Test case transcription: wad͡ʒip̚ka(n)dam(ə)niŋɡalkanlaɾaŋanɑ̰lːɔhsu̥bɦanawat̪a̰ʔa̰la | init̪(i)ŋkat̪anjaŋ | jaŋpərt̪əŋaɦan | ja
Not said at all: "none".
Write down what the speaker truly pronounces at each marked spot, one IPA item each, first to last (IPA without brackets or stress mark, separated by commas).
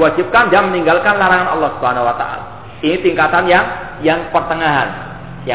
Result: n, ə, i